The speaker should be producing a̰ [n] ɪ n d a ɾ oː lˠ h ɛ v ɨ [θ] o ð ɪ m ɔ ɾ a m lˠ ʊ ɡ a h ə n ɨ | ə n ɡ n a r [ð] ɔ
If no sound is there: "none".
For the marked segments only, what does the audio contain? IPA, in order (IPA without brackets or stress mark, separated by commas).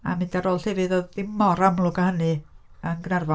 m, ð, v